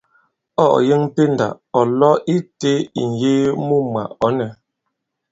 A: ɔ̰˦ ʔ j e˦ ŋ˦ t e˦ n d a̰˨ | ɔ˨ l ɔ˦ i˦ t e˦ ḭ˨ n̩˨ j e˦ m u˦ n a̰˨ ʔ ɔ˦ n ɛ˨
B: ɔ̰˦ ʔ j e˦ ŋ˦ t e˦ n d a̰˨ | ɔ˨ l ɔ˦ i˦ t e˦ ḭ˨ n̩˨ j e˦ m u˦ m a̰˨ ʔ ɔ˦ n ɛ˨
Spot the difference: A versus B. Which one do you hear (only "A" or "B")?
B